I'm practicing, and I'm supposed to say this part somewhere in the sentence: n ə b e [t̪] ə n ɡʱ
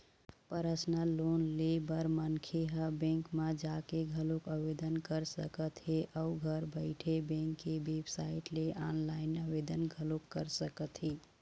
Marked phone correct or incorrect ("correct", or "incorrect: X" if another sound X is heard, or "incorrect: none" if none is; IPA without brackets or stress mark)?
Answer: incorrect: d̪